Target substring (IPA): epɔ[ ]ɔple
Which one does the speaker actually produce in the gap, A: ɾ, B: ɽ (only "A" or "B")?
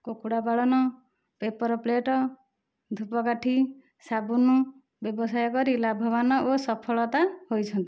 A